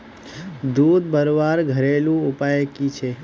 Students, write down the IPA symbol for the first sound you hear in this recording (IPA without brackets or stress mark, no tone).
d̪